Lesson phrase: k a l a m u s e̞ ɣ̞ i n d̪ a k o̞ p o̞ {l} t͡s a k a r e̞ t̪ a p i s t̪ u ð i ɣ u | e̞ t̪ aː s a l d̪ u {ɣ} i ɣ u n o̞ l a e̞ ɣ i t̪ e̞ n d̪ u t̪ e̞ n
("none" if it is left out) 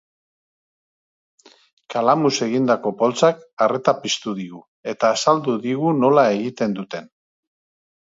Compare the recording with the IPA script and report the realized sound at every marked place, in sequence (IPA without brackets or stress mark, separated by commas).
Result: l, ð